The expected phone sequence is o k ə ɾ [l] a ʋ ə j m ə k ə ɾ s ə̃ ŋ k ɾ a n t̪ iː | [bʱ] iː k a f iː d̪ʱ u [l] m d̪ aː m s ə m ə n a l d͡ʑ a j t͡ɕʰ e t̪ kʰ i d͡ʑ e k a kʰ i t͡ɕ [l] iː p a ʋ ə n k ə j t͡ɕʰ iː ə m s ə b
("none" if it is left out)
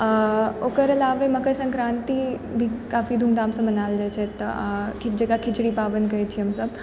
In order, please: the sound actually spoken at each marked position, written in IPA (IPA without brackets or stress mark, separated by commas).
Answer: l, bʱ, none, ɽ